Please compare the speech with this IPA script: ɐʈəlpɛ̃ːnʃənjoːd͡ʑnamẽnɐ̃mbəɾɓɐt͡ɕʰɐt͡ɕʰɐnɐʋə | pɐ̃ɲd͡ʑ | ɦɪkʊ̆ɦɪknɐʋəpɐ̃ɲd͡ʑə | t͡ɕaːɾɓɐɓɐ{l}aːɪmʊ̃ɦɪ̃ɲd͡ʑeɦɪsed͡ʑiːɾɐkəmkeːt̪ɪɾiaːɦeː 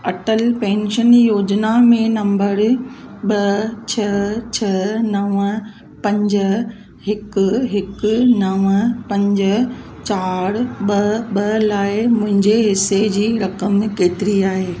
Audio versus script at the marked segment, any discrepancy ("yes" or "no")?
no